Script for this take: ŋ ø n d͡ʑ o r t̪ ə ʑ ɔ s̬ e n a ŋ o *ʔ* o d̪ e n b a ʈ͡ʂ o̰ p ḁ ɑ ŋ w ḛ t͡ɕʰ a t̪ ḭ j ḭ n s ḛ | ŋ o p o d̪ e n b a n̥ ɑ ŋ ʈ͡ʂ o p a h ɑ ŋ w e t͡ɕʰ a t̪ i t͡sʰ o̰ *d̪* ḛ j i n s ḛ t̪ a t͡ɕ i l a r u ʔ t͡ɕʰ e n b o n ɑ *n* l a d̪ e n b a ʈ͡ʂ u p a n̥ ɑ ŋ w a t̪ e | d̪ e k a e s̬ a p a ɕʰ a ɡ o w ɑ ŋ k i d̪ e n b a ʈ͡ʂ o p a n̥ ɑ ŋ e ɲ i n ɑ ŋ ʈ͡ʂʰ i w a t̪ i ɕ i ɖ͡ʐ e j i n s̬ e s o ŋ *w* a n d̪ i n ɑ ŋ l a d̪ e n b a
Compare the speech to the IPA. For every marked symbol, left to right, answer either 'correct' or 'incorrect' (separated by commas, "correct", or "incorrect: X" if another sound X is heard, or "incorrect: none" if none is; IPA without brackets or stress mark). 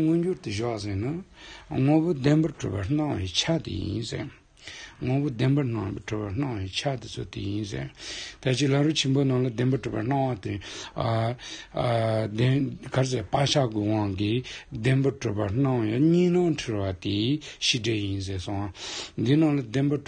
incorrect: p, incorrect: t̪, incorrect: ŋ, correct